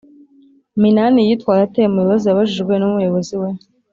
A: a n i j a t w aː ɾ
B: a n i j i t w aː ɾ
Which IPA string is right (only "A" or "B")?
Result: B